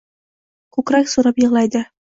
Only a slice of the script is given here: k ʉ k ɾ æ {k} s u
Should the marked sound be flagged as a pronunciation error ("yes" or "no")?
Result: no